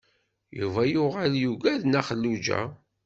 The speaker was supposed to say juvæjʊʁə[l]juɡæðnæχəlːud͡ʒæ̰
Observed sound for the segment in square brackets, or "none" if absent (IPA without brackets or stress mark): l